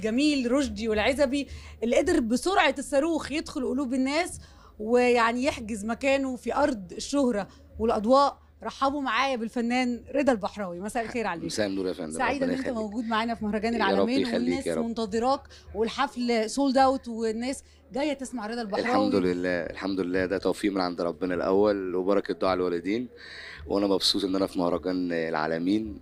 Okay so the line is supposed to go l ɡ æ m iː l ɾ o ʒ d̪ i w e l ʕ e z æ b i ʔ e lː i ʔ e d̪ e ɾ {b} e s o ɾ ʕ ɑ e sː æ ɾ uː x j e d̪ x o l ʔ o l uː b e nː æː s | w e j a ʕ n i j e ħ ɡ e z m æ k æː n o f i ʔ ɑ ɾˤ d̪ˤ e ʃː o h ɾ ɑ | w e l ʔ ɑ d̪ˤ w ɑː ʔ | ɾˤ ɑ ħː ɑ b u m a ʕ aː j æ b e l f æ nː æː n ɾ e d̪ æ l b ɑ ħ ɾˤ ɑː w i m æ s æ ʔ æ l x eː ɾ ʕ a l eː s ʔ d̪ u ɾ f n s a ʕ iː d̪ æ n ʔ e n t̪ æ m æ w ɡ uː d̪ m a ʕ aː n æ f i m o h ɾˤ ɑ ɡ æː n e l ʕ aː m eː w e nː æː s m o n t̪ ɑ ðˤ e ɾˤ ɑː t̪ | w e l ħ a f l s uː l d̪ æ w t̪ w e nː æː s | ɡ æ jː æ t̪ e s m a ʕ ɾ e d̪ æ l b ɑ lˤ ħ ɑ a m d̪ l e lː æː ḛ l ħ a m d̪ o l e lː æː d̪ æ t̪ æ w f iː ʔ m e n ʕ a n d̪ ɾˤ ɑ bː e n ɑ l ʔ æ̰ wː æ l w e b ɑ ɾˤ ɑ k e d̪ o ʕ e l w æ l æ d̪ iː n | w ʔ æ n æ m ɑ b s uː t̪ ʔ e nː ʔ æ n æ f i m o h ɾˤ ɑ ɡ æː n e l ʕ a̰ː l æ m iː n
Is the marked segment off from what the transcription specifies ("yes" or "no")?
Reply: no